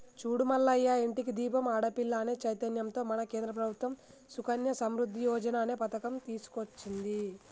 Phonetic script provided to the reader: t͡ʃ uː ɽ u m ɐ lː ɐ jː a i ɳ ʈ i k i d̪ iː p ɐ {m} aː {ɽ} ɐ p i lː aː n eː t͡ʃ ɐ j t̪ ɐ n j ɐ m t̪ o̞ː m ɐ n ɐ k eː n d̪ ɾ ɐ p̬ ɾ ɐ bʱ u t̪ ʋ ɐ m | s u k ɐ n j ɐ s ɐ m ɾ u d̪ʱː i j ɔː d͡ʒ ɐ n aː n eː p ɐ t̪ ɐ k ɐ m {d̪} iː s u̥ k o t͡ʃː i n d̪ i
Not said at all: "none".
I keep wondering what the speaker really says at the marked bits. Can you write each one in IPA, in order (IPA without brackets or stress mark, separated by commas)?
m, ɽ, t̪